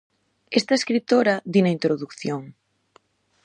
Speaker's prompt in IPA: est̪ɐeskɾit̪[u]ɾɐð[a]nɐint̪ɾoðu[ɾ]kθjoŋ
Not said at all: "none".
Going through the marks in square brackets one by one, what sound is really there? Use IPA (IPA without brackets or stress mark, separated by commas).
o, i, none